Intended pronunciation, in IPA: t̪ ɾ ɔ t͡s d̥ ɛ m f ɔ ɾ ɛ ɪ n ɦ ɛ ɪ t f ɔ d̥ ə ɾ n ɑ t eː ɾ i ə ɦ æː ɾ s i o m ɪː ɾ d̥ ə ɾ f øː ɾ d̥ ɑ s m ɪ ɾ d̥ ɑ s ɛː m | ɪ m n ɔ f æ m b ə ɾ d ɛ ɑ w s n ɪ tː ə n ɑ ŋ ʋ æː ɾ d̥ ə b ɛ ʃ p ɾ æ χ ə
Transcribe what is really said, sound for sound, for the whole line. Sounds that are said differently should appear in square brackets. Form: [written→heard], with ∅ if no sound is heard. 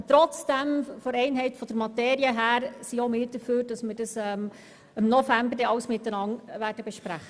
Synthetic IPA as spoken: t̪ ɾ ɔ t͡s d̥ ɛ m f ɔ ɾ ɛ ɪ n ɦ ɛ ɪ t f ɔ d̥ ə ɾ [n→m] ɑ t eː ɾ i ə ɦ æː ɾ s i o m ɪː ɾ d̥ ə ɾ f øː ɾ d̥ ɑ s m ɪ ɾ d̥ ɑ s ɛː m | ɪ m n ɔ f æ m b ə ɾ d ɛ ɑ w s [n→m] ɪ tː ə n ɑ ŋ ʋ æː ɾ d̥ ə b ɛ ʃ p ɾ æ χ ə

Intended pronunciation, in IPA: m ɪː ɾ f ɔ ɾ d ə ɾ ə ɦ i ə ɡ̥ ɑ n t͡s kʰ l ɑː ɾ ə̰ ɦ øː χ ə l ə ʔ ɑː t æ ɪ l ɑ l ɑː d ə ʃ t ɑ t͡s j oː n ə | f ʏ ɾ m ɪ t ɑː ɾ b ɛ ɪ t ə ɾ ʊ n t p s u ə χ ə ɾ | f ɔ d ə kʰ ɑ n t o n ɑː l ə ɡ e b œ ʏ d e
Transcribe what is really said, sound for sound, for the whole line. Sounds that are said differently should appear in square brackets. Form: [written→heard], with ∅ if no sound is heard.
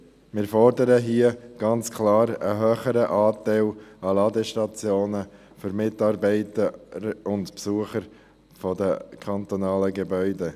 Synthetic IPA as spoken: m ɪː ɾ f ɔ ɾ d ə ɾ ə ɦ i ə ɡ̥ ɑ n t͡s kʰ l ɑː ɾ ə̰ ɦ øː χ ə [l→ɾ] ə ʔ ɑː t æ ɪ l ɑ l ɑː d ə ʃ t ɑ t͡s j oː n ə | f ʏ ɾ m ɪ t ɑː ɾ b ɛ ɪ t ə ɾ ʊ n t p s u ə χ ə ɾ | f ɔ d ə kʰ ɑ n t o n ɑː l ə ɡ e b œ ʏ d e

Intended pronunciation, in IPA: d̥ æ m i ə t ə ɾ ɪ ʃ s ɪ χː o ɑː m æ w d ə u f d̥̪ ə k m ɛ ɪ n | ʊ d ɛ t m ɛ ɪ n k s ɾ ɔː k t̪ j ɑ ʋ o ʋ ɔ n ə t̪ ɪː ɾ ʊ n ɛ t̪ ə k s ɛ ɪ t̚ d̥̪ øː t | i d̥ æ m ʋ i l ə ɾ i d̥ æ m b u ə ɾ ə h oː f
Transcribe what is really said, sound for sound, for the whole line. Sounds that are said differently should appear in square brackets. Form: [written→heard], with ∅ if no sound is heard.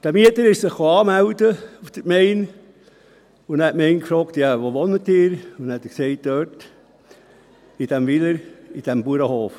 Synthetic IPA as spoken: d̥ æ m i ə t ə ɾ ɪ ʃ s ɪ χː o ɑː m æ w d ə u f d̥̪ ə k m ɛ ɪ n | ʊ [d→n] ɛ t m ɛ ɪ n k [s→f] ɾ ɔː k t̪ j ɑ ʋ o ʋ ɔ n ə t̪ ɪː ɾ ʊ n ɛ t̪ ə k s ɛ ɪ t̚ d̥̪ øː t | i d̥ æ m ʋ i l ə ɾ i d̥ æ m b u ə ɾ ə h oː f

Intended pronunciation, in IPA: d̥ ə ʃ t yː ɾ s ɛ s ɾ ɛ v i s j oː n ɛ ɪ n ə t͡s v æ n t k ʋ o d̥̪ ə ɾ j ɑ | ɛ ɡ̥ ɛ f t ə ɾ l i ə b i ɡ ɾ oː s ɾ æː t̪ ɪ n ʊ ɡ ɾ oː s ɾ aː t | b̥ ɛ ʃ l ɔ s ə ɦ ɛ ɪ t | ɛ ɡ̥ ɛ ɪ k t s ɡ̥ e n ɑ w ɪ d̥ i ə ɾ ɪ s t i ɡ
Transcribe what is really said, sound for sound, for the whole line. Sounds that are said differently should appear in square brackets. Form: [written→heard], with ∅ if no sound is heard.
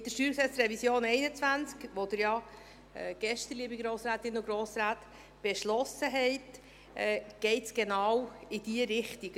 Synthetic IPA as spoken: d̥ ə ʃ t yː ɾ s ɛ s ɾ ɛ v i s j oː n ɛ ɪ n ə t͡s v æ n [t→t͡s] k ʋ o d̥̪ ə ɾ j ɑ | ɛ ɡ̥ ɛ [f→ʃ] t ə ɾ l i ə b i ɡ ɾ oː s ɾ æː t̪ ɪ n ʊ ɡ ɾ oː s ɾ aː t | b̥ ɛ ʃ l ɔ s ə ɦ ɛ ɪ t | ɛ ɡ̥ ɛ ɪ [k→∅] t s ɡ̥ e n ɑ w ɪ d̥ i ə ɾ ɪ [s→χ] t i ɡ

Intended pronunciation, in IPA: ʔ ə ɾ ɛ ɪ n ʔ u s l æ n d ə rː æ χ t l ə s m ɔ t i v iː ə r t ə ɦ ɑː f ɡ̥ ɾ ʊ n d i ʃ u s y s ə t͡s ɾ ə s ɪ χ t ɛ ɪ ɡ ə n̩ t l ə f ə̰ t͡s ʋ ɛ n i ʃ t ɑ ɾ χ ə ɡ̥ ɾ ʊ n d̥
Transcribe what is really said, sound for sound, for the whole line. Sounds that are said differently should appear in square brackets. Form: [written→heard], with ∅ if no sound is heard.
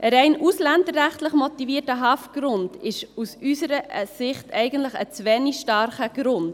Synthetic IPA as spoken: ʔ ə ɾ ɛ ɪ n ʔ u s l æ n d ə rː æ χ t l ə [s→χ] m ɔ t i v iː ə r t ə ɦ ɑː f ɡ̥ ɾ ʊ n d [i→ɪ] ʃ u s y s ə [t͡s→∅] ɾ ə s ɪ χ t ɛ ɪ ɡ ə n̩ t l ə [f→χ] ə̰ t͡s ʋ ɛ n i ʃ t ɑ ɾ χ ə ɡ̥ ɾ ʊ n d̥

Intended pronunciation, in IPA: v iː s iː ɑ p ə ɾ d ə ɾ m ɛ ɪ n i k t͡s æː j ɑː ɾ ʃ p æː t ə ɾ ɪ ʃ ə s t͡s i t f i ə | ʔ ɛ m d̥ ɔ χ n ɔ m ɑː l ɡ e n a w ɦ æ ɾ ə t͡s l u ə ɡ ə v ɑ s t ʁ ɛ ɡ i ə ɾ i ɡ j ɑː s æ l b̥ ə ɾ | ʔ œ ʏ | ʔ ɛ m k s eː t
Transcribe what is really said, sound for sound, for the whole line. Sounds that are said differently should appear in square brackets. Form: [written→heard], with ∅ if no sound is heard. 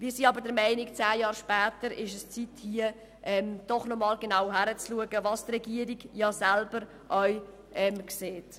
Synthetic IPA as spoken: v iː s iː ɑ [p→b] ə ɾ d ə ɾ m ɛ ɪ n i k t͡s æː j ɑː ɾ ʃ p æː t ə ɾ ɪ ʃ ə s t͡s i t [f→h] i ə | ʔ ɛ m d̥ ɔ χ n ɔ m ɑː l ɡ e n a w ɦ æ ɾ ə t͡s l u ə ɡ ə v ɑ s t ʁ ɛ ɡ i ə ɾ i ɡ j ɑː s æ l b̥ ə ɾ | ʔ œ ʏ | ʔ ɛ m k s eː t

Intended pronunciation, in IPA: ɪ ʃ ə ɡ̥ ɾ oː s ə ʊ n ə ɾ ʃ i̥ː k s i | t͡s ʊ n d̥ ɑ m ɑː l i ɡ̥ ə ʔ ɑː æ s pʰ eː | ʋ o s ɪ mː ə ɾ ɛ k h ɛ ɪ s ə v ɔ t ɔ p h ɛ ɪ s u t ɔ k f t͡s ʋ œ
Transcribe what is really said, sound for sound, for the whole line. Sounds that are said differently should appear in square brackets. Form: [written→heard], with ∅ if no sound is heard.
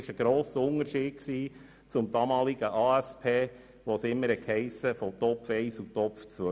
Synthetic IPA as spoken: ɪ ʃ ə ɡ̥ ɾ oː s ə ʊ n ə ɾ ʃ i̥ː k s [i→iː] | t͡s ʊ [n→m] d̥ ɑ m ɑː l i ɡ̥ ə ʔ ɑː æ s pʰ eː | ʋ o s ɪ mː ə ɾ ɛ k h ɛ ɪ s ə [v→f] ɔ t ɔ p [h→f] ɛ ɪ s u t ɔ [k→p] f t͡s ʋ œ

